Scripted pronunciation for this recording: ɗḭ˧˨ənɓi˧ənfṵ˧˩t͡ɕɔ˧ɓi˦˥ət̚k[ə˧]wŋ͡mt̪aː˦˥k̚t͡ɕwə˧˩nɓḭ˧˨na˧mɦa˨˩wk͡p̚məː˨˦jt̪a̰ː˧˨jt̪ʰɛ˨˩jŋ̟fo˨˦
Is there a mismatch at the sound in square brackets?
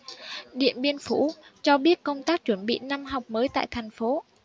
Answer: no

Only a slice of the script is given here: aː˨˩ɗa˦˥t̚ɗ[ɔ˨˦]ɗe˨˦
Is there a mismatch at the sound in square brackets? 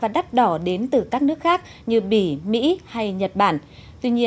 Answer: yes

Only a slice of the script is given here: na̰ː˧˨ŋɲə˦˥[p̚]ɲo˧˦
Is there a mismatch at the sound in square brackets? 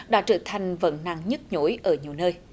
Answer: yes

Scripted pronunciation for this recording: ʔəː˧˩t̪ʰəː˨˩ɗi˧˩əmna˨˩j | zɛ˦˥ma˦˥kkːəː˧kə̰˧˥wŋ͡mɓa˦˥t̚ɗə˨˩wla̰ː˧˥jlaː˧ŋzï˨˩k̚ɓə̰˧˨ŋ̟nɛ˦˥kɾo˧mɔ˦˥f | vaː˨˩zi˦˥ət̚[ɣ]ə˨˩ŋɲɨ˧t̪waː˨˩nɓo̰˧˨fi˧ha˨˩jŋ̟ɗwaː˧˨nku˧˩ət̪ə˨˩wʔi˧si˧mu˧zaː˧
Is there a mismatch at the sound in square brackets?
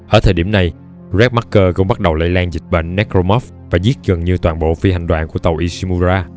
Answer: no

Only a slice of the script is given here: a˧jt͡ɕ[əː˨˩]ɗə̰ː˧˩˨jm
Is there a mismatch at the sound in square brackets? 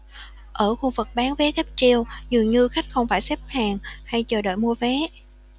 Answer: no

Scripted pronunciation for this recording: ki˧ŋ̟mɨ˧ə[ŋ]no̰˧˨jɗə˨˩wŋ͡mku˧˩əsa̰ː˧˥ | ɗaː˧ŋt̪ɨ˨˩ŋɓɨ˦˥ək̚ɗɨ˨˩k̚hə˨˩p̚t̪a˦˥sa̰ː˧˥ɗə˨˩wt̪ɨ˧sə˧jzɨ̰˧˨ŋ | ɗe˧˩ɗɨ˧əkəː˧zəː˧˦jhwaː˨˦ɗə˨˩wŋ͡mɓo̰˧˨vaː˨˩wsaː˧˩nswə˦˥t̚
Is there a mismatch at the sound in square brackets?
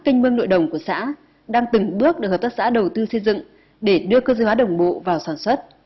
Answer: no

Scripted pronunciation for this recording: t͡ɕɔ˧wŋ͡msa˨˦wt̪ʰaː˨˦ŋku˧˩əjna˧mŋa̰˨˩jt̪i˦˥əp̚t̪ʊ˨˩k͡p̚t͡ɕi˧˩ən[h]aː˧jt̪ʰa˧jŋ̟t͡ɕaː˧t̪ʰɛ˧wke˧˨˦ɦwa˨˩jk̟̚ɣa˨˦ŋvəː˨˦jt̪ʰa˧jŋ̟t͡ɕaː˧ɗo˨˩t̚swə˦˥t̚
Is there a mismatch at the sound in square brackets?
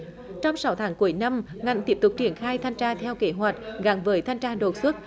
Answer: yes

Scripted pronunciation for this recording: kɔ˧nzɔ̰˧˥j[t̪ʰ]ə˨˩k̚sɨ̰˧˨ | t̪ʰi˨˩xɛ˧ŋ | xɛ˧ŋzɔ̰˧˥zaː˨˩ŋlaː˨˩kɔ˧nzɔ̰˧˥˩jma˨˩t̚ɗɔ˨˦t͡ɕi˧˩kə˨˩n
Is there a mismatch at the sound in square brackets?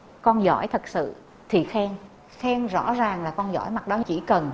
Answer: no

